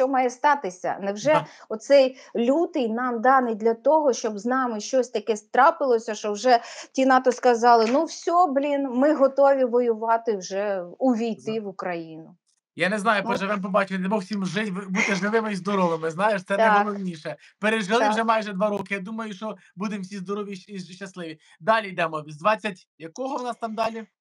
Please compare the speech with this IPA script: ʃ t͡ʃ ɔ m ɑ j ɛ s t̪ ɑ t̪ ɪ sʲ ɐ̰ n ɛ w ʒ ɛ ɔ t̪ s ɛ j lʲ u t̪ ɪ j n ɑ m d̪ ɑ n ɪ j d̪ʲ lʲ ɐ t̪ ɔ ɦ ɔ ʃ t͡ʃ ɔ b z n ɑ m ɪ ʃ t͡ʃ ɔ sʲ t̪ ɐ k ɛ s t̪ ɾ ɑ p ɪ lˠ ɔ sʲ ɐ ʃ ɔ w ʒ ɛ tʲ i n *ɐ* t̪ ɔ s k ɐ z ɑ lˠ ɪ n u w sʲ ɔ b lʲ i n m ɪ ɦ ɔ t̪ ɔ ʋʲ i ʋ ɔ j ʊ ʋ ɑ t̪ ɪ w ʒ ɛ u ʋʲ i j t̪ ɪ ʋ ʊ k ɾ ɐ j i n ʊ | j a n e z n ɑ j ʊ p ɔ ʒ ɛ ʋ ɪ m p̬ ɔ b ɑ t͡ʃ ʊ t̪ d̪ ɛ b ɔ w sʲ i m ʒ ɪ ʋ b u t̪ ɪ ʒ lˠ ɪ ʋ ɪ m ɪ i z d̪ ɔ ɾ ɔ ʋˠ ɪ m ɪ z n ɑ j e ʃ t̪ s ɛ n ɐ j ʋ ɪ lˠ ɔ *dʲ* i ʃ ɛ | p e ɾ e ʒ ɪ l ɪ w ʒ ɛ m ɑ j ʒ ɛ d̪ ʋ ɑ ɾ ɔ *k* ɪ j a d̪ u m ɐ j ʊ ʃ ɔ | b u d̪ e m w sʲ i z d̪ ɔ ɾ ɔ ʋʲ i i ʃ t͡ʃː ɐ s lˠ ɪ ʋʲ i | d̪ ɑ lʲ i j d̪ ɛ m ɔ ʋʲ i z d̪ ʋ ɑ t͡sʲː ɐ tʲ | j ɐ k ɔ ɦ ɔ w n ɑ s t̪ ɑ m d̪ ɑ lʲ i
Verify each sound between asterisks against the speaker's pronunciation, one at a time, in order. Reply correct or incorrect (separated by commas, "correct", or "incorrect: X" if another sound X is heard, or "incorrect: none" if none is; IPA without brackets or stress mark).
incorrect: ɑ, incorrect: nʲ, correct